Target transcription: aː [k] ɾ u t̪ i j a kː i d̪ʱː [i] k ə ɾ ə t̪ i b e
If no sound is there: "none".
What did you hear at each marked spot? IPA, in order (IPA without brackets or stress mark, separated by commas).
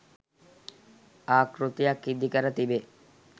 k, i